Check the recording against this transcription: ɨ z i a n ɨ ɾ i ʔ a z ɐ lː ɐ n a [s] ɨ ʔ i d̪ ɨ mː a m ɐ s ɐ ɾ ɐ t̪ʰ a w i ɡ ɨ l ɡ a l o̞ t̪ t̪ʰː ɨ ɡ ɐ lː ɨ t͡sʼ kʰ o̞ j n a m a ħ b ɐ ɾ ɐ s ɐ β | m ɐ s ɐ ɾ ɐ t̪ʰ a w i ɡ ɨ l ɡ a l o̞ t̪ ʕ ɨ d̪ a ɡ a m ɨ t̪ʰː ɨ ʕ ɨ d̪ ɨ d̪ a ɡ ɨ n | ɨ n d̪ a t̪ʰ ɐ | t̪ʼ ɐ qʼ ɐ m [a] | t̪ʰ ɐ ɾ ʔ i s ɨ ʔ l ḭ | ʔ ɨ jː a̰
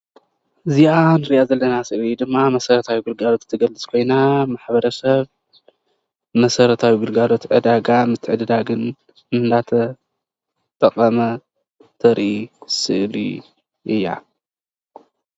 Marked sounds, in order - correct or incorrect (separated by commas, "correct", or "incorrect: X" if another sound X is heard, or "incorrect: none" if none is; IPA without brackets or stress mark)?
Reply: correct, incorrect: ɐ